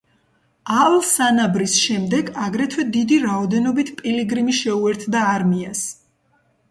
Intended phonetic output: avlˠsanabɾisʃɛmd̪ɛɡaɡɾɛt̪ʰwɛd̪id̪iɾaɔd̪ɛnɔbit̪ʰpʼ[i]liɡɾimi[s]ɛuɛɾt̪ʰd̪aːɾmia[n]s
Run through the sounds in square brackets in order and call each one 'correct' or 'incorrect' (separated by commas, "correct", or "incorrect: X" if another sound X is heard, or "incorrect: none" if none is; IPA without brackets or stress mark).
correct, incorrect: ʃ, incorrect: none